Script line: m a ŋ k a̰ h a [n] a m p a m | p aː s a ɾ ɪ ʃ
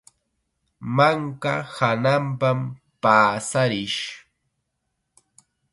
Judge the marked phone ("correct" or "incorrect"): correct